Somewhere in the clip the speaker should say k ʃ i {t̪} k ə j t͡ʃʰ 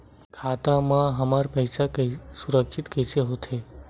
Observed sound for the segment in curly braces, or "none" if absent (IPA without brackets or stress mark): t̪